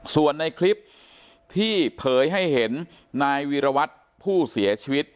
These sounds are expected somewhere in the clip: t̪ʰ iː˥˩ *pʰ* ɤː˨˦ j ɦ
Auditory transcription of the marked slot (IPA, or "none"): pʰ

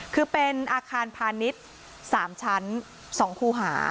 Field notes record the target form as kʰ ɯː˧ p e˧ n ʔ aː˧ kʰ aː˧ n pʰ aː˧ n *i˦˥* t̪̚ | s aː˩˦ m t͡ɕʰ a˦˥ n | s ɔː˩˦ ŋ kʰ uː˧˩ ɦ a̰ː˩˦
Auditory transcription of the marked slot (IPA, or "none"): i˦˥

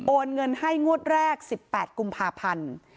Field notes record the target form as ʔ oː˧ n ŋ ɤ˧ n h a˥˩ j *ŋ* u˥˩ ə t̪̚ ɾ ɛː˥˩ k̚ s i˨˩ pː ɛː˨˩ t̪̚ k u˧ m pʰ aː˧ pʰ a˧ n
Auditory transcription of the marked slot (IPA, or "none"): ŋ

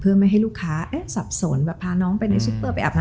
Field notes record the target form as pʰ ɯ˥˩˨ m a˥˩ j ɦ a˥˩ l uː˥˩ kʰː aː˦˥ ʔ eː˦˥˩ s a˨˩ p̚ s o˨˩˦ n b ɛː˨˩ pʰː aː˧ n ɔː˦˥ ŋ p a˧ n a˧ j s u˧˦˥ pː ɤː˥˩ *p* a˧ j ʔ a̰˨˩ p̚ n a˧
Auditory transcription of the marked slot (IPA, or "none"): p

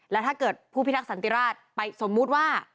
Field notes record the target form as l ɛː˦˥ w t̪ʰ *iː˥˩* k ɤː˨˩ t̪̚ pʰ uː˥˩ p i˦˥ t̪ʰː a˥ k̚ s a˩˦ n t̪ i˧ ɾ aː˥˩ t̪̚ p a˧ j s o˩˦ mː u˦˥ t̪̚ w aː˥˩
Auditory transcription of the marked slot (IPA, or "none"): aː˥˩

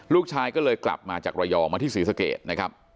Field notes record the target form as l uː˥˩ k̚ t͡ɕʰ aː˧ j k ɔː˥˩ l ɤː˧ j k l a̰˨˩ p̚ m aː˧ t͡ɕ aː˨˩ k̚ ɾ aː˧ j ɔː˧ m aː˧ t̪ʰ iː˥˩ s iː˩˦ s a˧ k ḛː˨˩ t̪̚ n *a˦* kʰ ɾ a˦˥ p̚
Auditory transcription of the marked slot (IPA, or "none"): a˦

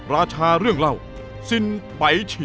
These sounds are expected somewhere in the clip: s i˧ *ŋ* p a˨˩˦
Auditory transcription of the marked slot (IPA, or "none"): n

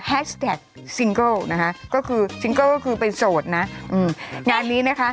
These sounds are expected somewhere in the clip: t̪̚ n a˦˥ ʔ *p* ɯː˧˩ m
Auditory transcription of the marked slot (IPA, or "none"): ʔ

